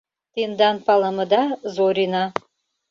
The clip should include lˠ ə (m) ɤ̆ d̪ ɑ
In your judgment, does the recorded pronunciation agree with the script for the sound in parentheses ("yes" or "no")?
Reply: yes